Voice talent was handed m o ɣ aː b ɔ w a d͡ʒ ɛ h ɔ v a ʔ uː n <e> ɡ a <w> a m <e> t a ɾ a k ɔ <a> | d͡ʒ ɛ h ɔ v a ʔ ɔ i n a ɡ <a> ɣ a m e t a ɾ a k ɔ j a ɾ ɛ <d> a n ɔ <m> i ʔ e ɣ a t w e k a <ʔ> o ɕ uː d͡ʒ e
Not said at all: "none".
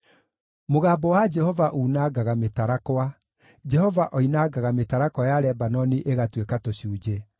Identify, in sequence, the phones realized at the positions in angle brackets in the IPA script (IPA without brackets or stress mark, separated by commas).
a, ɣ, e, a, a, b, n, t